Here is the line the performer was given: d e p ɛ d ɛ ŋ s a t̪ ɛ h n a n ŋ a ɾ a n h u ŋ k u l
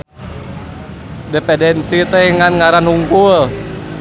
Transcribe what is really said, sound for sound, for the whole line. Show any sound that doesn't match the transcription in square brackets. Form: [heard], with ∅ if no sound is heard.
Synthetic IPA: d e p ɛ d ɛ [n] s [i] t̪ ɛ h [ŋ] a n ŋ a ɾ a n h u ŋ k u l

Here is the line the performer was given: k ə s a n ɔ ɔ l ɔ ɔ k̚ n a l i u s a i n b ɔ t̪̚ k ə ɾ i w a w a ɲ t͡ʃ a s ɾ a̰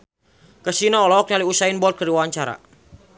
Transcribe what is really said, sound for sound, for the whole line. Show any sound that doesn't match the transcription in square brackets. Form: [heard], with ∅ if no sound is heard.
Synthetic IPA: k ə s [i] n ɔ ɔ l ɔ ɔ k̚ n a l i u s a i n b ɔ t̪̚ k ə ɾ i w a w a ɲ t͡ʃ a [∅] ɾ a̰

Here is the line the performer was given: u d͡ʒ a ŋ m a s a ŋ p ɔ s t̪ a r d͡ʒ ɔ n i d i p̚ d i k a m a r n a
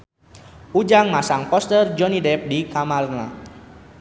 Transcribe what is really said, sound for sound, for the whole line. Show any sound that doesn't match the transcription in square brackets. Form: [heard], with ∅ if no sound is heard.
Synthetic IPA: u d͡ʒ a ŋ m a s a ŋ p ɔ s t̪ [ə] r d͡ʒ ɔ n i d [ɛ] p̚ d i k a m a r n a

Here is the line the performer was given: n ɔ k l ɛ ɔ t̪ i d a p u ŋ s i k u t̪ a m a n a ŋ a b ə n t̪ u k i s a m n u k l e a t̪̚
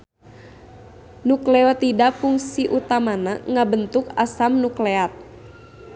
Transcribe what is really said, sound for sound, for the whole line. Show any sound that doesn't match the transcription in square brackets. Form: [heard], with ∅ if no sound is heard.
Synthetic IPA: n [u] k l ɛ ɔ t̪ i d a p u ŋ s i [ʔ] u t̪ a m a n a ŋ a b ə n t̪ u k [a] s a m n u k l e a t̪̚

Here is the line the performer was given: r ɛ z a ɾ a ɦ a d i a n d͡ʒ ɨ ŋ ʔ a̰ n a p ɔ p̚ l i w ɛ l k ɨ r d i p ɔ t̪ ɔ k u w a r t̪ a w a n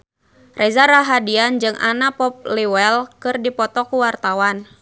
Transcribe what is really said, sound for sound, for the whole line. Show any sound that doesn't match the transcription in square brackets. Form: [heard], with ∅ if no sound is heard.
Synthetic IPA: r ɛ z a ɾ a ɦ a d i a n d͡ʒ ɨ ŋ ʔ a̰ n a p ɔ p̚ l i w ɛ l k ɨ r d i p ɔ t̪ ɔ k u w a r t̪ a w a n

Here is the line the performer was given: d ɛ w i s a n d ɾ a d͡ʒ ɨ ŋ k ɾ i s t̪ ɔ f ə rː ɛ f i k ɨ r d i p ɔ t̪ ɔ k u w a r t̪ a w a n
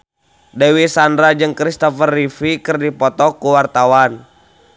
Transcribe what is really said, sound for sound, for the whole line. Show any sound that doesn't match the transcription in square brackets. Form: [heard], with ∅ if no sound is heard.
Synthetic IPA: d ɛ w i s a n d ɾ a d͡ʒ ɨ ŋ k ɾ i s t̪ ɔ f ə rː [i] f i k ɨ r d i p ɔ t̪ ɔ k u w a r t̪ a w a n

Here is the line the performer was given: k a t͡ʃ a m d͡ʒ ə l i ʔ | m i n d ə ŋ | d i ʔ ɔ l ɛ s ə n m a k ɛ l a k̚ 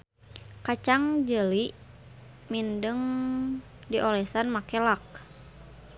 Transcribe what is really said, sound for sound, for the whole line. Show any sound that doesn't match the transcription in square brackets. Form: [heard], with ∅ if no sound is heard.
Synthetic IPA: k a t͡ʃ a [ŋ] d͡ʒ ə l i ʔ | m i n d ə ŋ | d i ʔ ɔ l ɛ s [a] n m a k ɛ l a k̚

